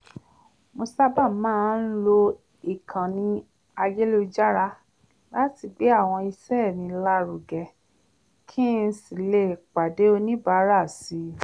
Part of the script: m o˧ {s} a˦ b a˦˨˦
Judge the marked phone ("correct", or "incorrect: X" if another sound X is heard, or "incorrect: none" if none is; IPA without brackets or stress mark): correct